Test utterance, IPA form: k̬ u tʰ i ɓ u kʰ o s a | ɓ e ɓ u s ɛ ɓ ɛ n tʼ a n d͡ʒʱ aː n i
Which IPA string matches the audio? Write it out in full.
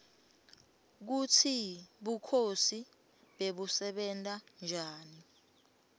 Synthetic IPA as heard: k̬ u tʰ i ɓ u kʰ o s i | ɓ e ɓ u s ɛ ɓ ɛ n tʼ a n d͡ʒʱ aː n i

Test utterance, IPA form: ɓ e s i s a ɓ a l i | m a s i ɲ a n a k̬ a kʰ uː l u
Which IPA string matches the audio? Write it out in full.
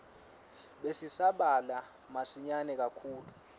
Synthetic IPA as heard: ɓ e s i s a ɓ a l a | m a s i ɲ a n ɛ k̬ a kʰ uː l u

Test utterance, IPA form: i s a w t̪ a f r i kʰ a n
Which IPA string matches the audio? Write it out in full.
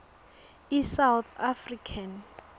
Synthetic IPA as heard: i s a w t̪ a f r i kʰ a n

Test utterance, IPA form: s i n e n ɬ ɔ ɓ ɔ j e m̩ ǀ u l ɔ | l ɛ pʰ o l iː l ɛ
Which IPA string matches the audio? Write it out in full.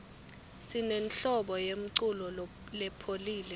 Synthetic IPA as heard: s i n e n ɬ ɔ ɓ ɔ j e m̩ ǀ u l ɔ | l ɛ pʰ o l iː l ɛ

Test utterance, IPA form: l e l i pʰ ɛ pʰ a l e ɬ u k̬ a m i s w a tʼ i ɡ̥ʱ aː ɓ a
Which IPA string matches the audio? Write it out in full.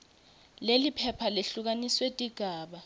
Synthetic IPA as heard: l e l i pʰ ɛ pʰ a l e ɬ u k̬ a n i s w e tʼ i ɡ̥ʱ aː ɓ a

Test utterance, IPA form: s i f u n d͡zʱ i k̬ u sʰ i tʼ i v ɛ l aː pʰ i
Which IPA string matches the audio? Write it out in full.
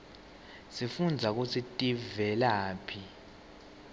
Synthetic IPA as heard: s i f u n d͡zʱ a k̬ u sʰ i tʼ i v ɛ l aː pʰ i

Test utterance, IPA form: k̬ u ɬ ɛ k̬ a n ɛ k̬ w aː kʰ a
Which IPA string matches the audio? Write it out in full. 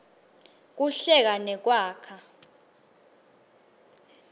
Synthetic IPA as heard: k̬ u ɬ ɛ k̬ a n ɛ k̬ w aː kʰ a

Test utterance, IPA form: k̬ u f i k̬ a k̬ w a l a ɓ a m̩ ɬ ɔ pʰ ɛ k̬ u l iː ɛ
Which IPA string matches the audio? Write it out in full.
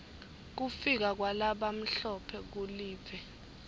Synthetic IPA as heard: k̬ u f i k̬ a k̬ w a l a ɓ a m̩ ɬ ɔ pʰ ɛ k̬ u l iː ɛ

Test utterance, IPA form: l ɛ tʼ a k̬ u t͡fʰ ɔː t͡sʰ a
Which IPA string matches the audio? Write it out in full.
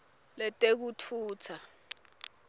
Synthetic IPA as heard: l ɛ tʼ e k̬ u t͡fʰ uː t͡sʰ a

